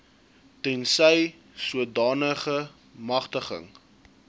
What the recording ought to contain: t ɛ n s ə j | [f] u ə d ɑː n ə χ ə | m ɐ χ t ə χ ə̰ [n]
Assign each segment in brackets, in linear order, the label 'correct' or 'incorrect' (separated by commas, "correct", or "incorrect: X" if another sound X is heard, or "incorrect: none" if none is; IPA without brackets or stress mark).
incorrect: s, incorrect: ŋ